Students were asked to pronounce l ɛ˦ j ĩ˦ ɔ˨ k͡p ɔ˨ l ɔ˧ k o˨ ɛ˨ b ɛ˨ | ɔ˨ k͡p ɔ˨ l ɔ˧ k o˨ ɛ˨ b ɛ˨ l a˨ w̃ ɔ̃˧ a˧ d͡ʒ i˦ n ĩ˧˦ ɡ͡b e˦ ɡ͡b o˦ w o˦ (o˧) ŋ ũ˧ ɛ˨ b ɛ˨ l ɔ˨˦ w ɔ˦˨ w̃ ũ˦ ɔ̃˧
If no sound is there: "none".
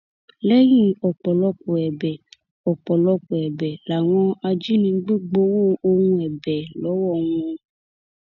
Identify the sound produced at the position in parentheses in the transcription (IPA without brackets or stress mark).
o˧